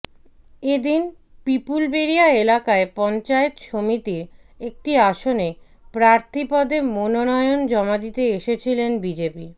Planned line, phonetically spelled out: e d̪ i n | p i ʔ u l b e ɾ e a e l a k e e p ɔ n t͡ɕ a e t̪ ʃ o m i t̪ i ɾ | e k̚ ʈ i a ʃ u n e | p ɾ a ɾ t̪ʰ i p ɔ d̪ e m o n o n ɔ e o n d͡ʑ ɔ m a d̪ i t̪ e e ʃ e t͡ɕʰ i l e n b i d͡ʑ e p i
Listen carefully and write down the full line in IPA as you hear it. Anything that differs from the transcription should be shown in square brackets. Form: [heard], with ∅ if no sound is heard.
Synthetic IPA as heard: e d̪ i n | p i [p] u l b e ɾ [i] a e l a k [a] e p ɔ n t͡ɕ a e t̪ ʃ o m i t̪ i ɾ | e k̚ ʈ i a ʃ [o] n e | p ɾ a ɾ t̪ʰ i p ɔ d̪ e m o n o n ɔ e o n d͡ʑ ɔ m a d̪ i t̪ e e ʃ e t͡ɕʰ i l e n b i d͡ʑ e p i